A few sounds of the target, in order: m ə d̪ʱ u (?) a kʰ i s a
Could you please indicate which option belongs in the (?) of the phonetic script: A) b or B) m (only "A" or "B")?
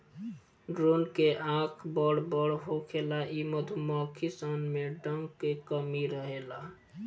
B